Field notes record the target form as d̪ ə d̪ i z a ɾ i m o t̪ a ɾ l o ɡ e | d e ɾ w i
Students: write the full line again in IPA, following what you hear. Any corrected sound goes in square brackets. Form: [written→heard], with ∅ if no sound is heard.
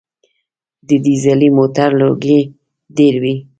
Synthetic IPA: d̪ ə d̪ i z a [ɾ→l] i m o t̪ a ɾ l o ɡ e | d e ɾ w i